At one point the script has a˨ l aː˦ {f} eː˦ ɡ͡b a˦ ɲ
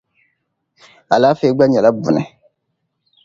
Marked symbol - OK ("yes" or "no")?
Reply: yes